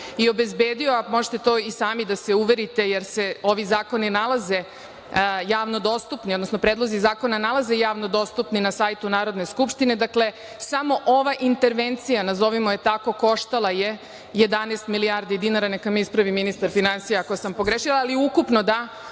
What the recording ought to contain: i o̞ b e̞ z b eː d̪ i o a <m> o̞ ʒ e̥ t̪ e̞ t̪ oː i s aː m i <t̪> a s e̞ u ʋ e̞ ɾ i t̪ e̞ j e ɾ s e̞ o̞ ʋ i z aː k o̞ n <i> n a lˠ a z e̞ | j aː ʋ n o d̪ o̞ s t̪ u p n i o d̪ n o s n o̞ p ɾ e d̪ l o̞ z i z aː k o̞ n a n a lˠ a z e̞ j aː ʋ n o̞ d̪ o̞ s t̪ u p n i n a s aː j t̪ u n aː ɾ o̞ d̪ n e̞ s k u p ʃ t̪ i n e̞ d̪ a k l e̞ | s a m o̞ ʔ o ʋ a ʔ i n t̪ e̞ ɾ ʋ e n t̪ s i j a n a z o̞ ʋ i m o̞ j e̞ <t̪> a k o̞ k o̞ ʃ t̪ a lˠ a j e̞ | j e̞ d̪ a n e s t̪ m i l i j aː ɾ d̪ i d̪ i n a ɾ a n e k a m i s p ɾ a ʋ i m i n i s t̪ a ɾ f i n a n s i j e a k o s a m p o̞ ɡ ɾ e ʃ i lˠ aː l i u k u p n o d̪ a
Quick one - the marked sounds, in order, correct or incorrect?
correct, incorrect: d̪, correct, correct

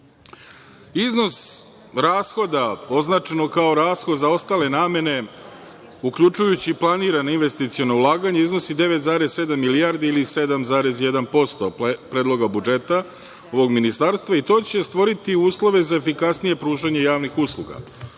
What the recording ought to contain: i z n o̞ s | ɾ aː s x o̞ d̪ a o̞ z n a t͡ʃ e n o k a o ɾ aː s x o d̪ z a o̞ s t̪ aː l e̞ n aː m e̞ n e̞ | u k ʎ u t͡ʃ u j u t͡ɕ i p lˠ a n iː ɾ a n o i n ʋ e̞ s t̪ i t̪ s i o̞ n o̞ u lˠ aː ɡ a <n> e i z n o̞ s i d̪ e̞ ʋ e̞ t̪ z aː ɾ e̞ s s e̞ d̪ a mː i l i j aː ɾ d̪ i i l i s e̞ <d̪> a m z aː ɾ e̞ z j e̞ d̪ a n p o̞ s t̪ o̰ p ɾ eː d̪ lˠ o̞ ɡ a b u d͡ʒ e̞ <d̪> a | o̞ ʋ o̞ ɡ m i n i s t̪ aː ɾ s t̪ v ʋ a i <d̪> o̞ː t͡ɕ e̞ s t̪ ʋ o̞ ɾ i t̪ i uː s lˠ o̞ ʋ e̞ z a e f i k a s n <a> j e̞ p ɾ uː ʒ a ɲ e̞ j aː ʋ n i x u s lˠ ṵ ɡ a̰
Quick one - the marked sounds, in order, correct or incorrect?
incorrect: ɲ, correct, incorrect: t̪, incorrect: t̪, incorrect: i

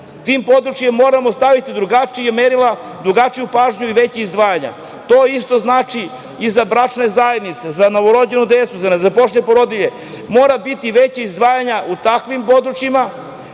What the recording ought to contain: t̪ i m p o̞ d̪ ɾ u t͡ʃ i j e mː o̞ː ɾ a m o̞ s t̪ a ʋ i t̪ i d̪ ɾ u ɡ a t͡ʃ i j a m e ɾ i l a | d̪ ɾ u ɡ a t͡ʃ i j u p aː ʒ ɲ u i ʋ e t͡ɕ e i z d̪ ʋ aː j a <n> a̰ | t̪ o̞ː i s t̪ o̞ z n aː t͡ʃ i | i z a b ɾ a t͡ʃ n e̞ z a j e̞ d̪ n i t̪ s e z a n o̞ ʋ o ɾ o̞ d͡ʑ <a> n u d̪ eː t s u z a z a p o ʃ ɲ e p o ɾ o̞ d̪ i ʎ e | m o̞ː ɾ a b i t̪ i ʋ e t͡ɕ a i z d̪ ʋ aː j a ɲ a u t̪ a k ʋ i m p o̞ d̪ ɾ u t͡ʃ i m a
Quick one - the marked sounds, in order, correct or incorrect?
incorrect: ɲ, incorrect: e

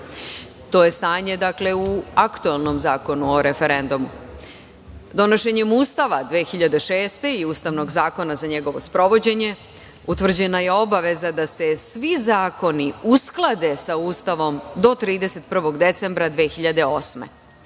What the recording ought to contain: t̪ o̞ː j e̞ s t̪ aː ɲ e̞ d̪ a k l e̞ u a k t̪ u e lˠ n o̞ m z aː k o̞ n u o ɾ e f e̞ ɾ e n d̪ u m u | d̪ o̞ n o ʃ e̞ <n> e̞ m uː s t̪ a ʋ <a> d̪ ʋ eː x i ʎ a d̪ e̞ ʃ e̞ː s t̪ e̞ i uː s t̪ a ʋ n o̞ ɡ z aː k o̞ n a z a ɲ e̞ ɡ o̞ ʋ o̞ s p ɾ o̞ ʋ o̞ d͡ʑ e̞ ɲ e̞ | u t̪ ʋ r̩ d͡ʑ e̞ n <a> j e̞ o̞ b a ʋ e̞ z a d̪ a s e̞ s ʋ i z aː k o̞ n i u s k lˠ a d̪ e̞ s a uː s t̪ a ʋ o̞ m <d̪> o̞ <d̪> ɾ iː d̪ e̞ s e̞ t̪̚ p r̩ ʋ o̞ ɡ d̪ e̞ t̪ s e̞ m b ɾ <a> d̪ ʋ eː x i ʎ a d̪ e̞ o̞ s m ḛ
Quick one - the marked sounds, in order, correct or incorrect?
incorrect: ɲ, correct, correct, correct, incorrect: t̪, correct

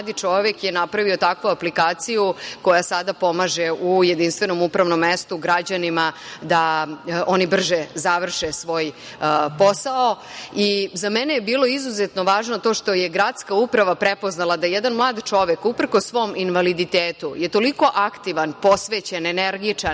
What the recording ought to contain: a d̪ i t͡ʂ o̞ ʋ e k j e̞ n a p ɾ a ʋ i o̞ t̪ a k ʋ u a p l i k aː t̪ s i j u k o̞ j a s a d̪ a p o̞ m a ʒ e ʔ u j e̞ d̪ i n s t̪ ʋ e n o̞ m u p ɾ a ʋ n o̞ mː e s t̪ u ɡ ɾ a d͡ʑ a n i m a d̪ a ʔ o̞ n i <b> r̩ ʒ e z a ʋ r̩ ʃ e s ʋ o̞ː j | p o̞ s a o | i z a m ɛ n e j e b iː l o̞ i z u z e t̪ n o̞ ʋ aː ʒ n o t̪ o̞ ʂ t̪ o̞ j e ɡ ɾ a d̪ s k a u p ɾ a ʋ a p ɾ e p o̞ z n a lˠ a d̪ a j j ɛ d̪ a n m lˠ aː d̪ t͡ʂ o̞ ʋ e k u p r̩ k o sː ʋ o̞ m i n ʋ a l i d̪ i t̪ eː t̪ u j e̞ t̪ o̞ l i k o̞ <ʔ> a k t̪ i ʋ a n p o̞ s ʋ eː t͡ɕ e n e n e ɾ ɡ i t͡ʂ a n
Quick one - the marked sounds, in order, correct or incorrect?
correct, correct

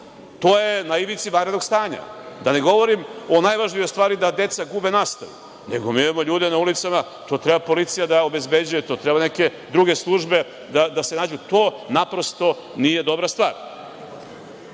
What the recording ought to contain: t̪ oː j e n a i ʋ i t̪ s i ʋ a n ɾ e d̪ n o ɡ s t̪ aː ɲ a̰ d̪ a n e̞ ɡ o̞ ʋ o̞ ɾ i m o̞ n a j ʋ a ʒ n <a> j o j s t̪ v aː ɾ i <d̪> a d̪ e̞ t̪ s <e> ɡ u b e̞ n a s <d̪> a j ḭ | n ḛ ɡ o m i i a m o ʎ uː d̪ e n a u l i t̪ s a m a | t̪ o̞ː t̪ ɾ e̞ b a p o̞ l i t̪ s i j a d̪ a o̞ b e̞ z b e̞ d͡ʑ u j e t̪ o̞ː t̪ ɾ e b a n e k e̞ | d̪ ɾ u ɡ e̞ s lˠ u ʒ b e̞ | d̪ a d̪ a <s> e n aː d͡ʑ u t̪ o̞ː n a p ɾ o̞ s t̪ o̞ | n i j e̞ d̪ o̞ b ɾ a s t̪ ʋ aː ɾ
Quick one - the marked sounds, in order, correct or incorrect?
incorrect: i, correct, incorrect: a, incorrect: t̪, correct

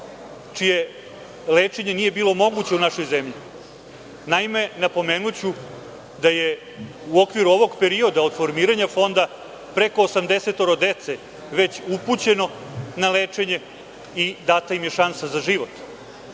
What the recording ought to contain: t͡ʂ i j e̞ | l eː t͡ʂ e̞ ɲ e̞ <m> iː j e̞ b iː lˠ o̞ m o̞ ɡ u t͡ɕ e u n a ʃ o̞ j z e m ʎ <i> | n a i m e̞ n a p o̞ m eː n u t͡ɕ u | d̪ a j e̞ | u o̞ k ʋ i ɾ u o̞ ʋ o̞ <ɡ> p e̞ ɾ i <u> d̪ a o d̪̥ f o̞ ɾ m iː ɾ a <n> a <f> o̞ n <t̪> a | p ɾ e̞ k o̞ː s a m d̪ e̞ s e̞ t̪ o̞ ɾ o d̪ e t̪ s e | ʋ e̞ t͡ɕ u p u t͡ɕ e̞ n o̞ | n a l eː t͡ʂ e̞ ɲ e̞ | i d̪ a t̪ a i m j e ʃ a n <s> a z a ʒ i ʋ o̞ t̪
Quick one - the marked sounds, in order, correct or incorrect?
incorrect: n, correct, correct, incorrect: o, incorrect: ɲ, correct, incorrect: d̪, correct

